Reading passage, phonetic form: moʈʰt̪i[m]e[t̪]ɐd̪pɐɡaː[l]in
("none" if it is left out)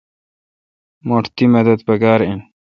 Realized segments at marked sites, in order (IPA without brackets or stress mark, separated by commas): m, d̪, ɾ